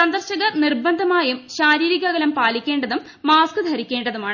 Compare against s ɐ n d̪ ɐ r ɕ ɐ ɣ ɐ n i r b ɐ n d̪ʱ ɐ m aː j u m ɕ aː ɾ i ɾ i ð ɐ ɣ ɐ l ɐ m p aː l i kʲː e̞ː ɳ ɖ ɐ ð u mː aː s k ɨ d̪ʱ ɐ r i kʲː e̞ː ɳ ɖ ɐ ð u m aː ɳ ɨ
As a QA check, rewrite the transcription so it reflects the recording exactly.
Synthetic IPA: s ɐ n d̪ ɐ r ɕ ɐ ɣ ɐ n i r b ɐ n d̪ʱ ɐ m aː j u m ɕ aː ɾ iː ɾ i ɣ ɐ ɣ ɐ l ɐ m p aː l i kʲː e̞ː ɳ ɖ ɐ ð u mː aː s k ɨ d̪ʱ ɐ ɾ i kʲː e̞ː ɳ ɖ ɐ ð u m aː ɳ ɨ